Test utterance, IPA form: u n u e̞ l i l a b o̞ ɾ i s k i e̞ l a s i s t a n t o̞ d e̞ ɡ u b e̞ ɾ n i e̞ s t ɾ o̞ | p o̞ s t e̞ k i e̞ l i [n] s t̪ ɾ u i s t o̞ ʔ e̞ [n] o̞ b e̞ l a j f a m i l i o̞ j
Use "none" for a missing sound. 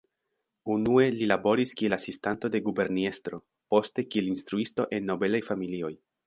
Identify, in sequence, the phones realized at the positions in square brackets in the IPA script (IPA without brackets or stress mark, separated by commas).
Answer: n, nː